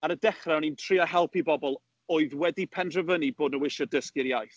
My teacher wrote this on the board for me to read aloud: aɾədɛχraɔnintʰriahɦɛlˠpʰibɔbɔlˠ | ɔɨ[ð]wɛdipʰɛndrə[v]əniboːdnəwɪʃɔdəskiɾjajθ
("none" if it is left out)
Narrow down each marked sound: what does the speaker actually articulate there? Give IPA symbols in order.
ð, v

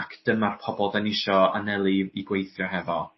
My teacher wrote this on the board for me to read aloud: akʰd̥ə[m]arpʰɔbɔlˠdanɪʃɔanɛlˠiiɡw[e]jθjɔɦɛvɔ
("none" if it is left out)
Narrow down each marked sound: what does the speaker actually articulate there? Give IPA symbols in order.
m, e

